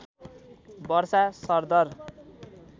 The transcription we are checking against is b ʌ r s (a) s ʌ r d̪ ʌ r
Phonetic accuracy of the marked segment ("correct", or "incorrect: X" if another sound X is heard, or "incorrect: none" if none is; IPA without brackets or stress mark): correct